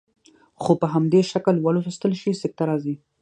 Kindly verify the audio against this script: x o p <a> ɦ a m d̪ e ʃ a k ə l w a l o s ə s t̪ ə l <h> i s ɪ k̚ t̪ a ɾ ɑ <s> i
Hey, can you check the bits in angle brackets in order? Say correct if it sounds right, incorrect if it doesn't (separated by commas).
incorrect, incorrect, incorrect